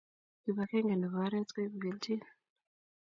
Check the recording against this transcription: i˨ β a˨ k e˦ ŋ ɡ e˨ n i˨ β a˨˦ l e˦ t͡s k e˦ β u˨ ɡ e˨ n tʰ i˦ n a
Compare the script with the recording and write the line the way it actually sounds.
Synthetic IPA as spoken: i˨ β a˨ k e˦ ŋ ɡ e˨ n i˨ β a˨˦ ɾ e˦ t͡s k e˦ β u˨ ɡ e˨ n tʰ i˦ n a